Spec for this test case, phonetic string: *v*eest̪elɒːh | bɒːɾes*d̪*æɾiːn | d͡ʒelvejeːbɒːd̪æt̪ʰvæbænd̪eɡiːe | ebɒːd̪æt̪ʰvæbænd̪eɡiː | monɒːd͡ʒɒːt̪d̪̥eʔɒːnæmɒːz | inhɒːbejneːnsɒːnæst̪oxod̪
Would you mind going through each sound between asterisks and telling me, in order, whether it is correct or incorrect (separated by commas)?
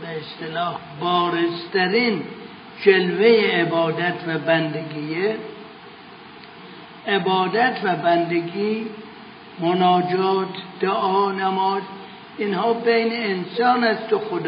incorrect, incorrect